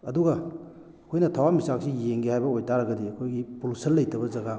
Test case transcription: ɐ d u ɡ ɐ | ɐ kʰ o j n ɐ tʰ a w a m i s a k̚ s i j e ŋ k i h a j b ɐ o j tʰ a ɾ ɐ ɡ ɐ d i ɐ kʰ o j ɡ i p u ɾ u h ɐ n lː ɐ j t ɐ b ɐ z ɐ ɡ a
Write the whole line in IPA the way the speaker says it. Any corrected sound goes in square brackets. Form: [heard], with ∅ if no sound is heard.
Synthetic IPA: ɐ d u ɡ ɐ | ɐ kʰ o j n ɐ tʰ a w a m i s a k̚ s i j e ŋ [ɡ] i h a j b ɐ o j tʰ a ɾ ɐ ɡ ɐ d i ɐ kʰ o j ɡ i p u [l] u [s] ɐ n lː ɐ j t ɐ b ɐ z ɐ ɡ a